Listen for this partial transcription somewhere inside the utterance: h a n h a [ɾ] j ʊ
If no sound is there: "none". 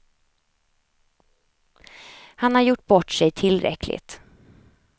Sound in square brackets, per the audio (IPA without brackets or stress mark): ɾ